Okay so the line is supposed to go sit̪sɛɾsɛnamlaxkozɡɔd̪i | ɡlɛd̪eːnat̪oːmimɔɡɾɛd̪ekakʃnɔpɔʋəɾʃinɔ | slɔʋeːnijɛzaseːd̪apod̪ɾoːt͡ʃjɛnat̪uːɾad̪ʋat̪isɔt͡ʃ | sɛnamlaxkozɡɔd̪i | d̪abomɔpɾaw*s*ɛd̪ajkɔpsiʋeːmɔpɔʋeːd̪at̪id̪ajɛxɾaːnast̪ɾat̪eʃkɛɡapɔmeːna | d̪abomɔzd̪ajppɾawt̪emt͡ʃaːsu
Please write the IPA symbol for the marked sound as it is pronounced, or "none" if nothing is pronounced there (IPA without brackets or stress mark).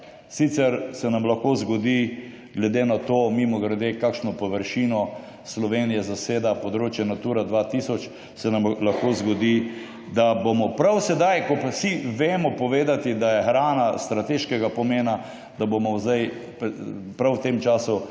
s